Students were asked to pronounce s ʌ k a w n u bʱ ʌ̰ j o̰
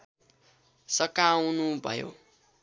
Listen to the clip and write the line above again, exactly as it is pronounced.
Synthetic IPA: s ʌ k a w n u bʱ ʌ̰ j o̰